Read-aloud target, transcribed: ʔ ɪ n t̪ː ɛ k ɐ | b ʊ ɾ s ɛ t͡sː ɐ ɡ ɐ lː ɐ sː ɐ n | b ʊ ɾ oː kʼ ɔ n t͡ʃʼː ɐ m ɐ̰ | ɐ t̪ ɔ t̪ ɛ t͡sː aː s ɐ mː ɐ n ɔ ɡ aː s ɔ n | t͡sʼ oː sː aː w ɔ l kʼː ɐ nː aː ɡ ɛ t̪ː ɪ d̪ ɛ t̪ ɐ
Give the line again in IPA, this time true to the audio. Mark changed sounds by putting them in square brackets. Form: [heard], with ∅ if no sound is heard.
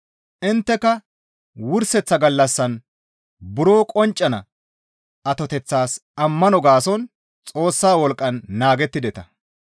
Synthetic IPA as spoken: ʔ ɪ n t̪ː ɛ k ɐ | [w] ʊ ɾ s ɛ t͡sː ɐ ɡ ɐ lː ɐ sː ɐ n | b ʊ ɾ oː kʼ ɔ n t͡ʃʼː ɐ [n] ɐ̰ | ɐ t̪ ɔ t̪ ɛ t͡sː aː s ɐ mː ɐ n ɔ ɡ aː s ɔ n | t͡sʼ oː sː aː w ɔ l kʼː ɐ nː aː ɡ ɛ t̪ː ɪ d̪ ɛ t̪ ɐ